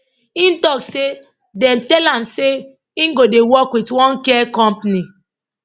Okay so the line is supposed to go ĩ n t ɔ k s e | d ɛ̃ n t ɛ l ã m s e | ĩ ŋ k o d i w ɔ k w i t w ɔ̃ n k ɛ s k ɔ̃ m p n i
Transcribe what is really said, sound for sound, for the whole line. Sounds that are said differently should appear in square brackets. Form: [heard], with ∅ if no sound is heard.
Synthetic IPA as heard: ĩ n t ɔ k s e | d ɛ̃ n t ɛ l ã m s e | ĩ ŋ [ɡ] o d [e] w ɔ k w i t w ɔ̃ n k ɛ [∅] k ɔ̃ m p n i